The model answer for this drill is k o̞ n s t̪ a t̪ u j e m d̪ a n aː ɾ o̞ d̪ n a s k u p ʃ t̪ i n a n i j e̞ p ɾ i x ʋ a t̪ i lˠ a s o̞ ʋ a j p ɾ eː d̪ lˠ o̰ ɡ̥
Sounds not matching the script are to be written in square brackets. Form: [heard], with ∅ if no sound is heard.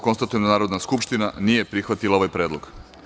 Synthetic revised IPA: k o̞ n s t̪ a t̪ u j e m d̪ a n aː ɾ o̞ d̪ n a s k u p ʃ t̪ i n a n i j e̞ p ɾ i x ʋ a t̪ i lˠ a [∅] o̞ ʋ a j p ɾ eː d̪ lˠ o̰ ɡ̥